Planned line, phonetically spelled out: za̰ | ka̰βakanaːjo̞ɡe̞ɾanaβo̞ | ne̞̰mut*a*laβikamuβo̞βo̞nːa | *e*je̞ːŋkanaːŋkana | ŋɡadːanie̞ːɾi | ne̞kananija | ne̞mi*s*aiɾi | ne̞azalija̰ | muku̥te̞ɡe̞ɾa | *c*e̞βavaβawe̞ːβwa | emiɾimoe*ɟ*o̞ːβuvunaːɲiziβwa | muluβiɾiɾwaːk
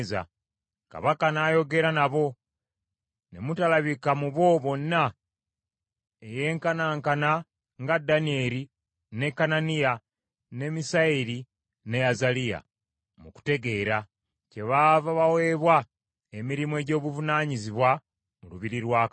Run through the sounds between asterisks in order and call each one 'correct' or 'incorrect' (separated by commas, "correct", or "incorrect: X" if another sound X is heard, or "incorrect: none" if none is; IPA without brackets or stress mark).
correct, correct, correct, correct, correct